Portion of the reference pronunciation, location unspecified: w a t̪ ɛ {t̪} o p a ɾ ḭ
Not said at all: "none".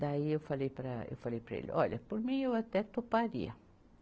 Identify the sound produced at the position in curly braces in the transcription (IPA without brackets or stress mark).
t̪